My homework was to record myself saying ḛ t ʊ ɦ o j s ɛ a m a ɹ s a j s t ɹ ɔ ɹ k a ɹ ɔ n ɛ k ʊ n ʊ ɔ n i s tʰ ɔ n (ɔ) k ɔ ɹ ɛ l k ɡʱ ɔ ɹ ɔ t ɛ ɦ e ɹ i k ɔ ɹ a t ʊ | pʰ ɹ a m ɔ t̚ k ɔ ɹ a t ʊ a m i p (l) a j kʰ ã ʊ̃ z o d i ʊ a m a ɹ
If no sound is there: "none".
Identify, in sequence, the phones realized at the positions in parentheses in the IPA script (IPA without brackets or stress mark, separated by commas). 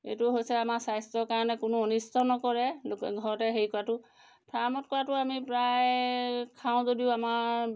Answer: ɔ, ɹ